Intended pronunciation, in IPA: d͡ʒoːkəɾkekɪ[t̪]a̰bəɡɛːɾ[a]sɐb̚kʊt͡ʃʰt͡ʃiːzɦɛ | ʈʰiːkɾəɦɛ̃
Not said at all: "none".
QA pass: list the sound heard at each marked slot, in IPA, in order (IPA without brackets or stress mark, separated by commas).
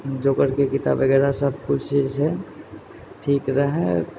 t̪, a